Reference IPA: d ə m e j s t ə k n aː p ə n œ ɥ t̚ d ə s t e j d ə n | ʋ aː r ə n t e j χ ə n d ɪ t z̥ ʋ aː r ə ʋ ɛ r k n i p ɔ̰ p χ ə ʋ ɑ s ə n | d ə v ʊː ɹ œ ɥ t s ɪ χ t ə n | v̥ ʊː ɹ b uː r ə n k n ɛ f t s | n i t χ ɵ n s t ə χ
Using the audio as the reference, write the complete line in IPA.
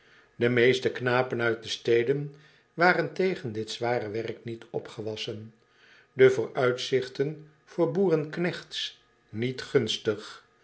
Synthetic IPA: d ə m e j s t ə k n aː p ə n œ ɥ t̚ d ə s t e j d ə n | ʋ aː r ə n t e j χ ə n d ɪ t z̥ ʋ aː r ə ʋ ɛ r k n i t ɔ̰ p χ ə ʋ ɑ s ə n | d ə v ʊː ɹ œ ɥ t s ɪ χ t ə n | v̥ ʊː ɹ b uː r ə n k n ɛ χ t s | n i t χ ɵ n s t ə χ